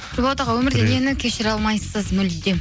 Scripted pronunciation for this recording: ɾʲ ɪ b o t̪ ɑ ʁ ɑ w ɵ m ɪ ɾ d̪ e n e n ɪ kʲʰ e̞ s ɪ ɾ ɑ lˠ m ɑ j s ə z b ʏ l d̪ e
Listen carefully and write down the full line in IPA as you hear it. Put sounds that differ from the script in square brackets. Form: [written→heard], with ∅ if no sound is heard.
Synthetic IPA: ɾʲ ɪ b o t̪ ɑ ʁ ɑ w ɵ m ɪ ɾ d̪ e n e n ɪ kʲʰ e̞ [s→ʃ] ɪ ɾ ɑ lˠ m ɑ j s ə z [b→m] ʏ l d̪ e